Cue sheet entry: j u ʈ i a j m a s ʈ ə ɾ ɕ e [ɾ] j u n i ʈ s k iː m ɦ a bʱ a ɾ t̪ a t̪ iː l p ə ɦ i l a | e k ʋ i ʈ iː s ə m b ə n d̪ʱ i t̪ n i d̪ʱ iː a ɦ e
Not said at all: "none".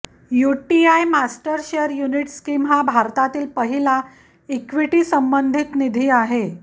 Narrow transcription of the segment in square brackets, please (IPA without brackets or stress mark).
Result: ɾ